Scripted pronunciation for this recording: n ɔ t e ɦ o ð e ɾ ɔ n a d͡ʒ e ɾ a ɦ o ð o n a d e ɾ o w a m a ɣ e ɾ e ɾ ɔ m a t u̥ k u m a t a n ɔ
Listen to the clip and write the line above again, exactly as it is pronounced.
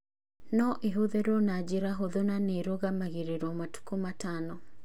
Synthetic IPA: n ɔ ʔ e ɦ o ð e ɾ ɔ n a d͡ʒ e ɾ a ɦ o ð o n a n e ɾ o ɣ a m a ɣ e ɾ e ɾ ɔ m a t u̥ k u m a t a n ɔ